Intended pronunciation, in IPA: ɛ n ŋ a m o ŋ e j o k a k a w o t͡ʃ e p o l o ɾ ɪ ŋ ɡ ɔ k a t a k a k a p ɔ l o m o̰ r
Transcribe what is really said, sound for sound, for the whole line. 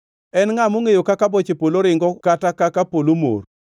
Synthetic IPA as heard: ɛ n ŋ a m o ŋ e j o k a k a b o t͡ʃ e p o l o ɾ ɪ ŋ ɡ ɔ k a t a k a k a p o l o m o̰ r